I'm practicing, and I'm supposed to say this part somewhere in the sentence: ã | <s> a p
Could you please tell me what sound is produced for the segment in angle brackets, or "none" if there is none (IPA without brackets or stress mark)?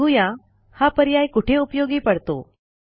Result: h